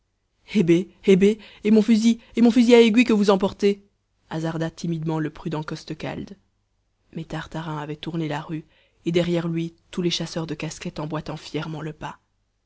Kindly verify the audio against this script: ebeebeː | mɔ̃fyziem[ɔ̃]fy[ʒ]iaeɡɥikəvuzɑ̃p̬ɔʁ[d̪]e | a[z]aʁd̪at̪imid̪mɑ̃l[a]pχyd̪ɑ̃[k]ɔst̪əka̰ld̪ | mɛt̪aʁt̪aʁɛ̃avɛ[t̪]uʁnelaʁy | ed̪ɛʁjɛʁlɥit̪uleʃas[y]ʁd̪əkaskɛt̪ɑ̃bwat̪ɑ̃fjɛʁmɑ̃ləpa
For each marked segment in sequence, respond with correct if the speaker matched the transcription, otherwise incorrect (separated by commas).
correct, incorrect, incorrect, correct, incorrect, correct, correct, incorrect